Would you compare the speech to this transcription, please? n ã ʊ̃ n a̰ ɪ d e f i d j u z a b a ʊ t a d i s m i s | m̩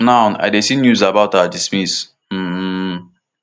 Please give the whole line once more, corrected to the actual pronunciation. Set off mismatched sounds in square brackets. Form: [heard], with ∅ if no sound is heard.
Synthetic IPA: n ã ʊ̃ n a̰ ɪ d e [s] i [n] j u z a b a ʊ t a d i s m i s | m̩